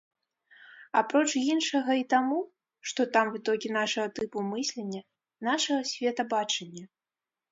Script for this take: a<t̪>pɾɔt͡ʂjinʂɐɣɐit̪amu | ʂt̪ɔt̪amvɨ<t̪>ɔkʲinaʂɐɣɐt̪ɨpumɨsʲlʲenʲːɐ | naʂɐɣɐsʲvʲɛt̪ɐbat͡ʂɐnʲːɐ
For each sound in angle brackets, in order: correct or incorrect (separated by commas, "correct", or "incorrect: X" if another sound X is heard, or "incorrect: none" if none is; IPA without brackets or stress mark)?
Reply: incorrect: none, correct